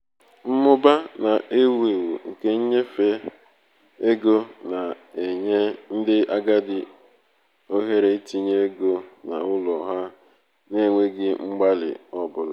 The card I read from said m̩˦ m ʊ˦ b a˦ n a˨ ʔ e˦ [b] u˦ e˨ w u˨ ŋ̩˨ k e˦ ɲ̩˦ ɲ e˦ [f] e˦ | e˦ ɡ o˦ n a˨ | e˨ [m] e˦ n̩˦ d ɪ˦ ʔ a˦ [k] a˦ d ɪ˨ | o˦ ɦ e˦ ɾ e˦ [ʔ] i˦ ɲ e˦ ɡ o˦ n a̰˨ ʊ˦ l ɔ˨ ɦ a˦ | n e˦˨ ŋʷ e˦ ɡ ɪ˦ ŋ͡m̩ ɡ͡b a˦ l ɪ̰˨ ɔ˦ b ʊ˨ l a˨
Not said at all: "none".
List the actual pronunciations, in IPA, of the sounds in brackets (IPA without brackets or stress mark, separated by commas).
w, f, ɲ, ɡ, t